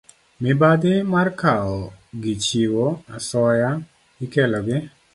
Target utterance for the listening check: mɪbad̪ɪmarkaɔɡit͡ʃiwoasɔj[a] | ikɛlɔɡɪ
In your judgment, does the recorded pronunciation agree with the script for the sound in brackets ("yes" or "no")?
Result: yes